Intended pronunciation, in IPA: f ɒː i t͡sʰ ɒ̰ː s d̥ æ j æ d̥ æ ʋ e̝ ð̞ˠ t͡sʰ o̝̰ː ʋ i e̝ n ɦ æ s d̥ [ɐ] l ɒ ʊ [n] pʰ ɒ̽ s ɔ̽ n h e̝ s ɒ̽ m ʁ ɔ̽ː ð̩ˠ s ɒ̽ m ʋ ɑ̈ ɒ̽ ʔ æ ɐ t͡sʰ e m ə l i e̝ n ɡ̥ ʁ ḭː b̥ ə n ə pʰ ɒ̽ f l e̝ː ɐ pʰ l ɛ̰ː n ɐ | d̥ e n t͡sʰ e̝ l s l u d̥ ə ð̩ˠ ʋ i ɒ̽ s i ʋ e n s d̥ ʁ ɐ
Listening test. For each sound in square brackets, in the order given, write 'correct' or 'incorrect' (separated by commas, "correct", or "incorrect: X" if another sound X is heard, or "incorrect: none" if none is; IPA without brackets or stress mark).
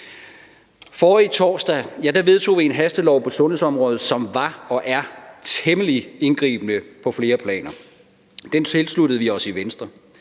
incorrect: ə, incorrect: none